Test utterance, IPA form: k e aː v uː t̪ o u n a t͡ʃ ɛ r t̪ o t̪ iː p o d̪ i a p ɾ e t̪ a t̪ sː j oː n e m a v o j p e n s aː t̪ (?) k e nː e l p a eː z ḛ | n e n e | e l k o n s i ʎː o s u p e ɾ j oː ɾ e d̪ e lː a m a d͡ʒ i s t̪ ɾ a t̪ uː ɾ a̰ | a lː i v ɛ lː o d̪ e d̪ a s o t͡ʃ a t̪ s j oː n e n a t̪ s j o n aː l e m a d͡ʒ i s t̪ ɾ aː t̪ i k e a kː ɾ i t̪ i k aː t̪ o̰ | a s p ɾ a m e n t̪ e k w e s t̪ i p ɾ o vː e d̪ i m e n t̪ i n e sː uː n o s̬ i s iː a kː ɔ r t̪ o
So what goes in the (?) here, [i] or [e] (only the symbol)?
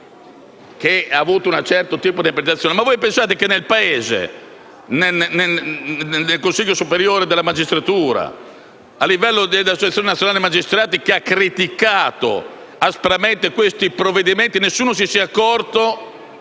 e